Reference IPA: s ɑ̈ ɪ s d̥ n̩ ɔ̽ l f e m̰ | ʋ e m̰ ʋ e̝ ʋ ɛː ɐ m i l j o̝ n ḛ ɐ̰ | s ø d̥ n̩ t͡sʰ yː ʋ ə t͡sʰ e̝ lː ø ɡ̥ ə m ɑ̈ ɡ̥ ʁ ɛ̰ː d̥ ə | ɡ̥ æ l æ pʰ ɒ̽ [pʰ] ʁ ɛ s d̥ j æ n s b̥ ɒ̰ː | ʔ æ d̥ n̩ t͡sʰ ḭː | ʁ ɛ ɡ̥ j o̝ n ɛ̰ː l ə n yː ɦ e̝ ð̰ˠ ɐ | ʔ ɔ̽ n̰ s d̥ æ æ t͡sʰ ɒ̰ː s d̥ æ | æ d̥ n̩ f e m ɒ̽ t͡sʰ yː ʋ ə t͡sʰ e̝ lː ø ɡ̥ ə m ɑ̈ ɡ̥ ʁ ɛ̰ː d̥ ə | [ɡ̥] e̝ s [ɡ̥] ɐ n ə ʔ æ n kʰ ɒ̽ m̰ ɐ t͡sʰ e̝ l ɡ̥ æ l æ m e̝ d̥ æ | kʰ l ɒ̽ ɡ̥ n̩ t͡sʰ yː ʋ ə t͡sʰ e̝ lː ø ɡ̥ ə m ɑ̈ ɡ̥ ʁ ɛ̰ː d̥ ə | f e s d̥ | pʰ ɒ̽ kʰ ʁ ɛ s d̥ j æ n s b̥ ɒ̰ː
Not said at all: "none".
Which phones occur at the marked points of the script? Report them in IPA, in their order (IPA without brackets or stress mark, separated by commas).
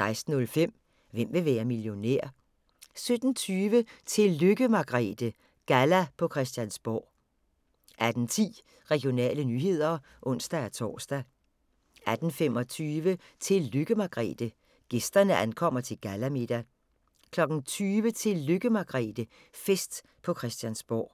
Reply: kʰ, ɡ̥, d̥